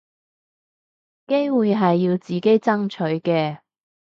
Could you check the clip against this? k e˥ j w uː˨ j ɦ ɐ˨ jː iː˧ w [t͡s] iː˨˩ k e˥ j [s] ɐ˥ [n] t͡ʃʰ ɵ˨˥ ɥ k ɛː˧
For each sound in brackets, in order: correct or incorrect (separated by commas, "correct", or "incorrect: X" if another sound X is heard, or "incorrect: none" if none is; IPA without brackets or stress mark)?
correct, incorrect: t͡s, incorrect: ŋ